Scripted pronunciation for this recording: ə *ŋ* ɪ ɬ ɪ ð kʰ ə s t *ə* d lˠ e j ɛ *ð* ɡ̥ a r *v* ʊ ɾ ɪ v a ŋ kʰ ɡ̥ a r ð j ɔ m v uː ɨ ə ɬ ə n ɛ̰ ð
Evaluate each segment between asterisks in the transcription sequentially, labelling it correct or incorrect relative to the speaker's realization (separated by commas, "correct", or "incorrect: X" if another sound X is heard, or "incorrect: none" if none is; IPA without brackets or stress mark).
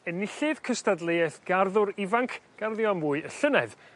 incorrect: n, incorrect: a, incorrect: θ, incorrect: ð